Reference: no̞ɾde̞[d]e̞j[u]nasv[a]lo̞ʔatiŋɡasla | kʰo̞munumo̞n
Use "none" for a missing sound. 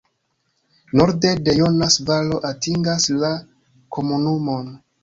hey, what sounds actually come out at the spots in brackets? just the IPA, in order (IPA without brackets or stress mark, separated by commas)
d, o, a